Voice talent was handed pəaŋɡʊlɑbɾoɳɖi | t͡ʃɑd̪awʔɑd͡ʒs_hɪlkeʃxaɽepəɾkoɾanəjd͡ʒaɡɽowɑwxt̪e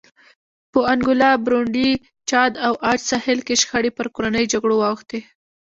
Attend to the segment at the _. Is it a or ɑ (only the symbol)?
ɑ